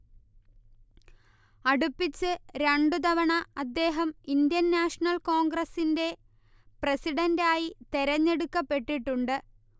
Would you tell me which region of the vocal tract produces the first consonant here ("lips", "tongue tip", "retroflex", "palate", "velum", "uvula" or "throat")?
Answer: retroflex